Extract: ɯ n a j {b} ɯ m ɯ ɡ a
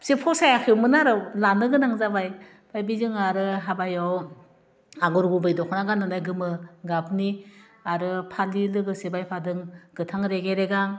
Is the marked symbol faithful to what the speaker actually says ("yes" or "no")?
no